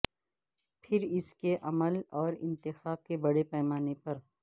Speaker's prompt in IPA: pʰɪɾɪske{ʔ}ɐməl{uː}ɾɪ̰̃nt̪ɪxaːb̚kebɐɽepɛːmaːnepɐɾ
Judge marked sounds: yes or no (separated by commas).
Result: yes, no